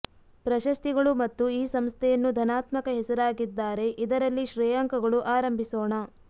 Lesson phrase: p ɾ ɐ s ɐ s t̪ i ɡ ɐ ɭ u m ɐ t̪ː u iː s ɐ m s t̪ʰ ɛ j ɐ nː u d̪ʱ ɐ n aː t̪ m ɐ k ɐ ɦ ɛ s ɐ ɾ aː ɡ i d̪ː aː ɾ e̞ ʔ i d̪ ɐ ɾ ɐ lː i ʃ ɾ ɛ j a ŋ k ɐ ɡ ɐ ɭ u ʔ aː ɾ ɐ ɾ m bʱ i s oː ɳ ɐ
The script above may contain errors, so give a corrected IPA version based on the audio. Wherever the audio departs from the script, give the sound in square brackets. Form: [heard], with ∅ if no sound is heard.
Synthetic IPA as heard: p ɾ ɐ [ʃ] ɐ s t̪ i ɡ ɐ ɭ u m ɐ t̪ː u iː s ɐ m s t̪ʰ ɛ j ɐ nː u d̪ʱ ɐ n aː t̪ m ɐ k ɐ ɦ ɛ s ɐ ɾ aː ɡ i d̪ː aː ɾ e̞ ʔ i d̪ ɐ ɾ ɐ lː i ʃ ɾ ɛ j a ŋ k ɐ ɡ ɐ ɭ u ʔ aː ɾ ɐ [∅] m bʱ i s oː ɳ ɐ